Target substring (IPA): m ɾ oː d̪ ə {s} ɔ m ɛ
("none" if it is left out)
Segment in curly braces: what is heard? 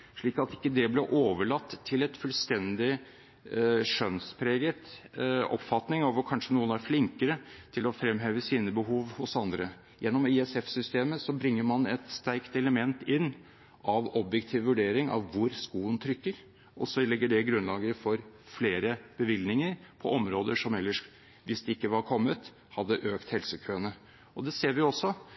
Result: ʂ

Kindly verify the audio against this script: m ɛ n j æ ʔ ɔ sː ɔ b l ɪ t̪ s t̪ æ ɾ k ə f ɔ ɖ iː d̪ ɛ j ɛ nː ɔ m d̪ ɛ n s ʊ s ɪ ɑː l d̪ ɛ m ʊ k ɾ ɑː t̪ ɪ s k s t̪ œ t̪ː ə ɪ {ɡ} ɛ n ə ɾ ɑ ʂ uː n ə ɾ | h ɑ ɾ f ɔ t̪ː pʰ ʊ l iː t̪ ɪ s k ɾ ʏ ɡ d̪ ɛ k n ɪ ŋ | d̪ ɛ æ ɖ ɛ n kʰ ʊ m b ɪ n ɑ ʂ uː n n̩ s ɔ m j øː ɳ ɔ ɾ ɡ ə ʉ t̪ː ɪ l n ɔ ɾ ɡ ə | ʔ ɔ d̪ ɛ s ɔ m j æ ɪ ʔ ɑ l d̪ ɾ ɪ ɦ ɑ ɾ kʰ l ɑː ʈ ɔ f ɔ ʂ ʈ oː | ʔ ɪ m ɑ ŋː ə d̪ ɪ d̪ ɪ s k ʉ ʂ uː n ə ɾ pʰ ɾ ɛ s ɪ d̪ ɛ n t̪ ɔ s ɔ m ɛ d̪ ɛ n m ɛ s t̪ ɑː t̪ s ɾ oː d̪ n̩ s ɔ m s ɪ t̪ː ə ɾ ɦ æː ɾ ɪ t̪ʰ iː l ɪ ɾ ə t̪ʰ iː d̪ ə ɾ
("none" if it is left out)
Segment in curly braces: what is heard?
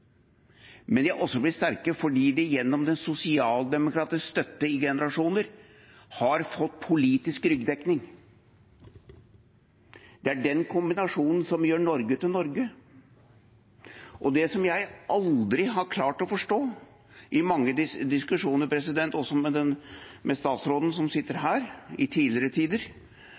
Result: ɡ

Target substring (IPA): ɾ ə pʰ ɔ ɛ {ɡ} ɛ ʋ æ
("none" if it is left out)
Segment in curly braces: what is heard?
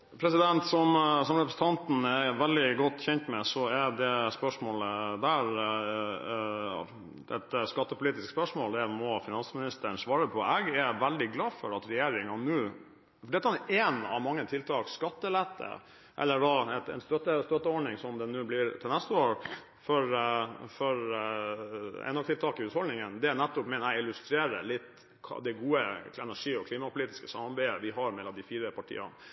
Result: ɡ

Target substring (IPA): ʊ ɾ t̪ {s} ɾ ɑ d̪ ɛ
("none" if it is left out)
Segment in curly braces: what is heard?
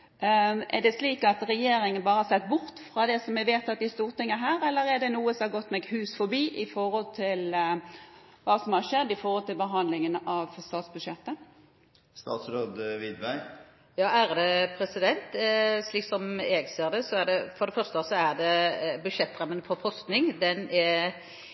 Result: f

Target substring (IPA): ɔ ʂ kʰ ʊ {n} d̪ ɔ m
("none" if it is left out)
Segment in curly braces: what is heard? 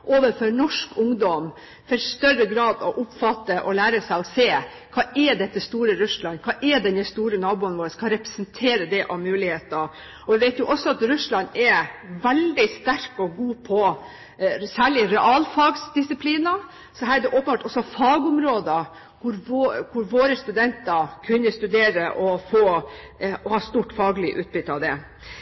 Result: ŋ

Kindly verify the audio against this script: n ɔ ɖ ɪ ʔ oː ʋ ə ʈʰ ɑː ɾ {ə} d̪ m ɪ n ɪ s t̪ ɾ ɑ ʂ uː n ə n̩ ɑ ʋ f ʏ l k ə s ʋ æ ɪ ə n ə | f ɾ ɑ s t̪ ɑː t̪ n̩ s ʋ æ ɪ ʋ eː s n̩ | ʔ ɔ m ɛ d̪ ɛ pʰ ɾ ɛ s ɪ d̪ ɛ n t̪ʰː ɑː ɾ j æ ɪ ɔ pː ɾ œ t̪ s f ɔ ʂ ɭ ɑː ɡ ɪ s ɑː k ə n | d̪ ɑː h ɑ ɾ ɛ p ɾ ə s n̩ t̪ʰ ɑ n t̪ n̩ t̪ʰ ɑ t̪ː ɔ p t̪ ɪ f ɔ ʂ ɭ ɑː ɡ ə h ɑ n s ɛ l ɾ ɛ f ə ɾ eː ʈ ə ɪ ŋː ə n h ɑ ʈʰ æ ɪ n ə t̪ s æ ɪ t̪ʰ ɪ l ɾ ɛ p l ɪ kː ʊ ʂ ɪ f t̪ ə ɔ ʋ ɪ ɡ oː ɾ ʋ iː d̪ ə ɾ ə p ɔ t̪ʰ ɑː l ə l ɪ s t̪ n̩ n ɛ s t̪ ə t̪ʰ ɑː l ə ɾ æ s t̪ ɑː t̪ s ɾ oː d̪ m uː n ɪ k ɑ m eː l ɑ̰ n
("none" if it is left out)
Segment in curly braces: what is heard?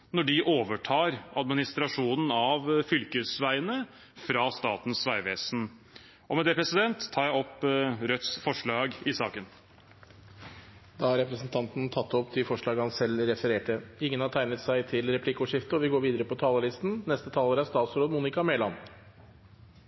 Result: ɑ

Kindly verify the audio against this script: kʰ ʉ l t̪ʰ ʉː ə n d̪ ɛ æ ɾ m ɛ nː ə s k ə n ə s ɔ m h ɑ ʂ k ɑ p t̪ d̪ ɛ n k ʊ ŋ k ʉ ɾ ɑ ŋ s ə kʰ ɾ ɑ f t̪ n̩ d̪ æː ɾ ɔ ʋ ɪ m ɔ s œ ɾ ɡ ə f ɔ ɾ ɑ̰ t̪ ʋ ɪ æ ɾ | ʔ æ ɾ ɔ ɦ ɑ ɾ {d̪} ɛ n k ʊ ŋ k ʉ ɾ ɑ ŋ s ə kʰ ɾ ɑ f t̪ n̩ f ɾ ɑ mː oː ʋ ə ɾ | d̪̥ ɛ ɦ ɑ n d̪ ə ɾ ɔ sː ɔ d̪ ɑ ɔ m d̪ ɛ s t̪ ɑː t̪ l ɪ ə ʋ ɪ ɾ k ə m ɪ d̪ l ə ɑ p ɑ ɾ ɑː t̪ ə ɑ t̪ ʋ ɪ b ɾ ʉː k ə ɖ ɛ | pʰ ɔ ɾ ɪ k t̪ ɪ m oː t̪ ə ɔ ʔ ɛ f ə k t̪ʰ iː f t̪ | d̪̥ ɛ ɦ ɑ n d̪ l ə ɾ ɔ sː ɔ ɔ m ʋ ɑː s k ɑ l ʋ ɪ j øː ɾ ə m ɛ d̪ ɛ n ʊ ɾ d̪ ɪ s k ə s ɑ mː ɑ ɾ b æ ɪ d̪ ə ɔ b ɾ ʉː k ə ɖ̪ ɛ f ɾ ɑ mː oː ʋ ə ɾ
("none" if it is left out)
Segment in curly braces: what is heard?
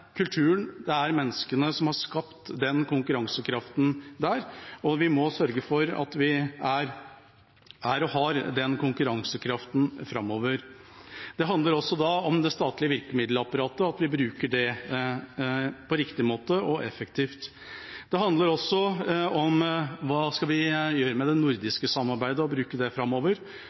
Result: d̪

